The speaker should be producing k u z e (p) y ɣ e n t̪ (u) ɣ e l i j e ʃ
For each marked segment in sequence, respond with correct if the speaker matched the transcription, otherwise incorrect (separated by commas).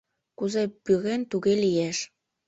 correct, correct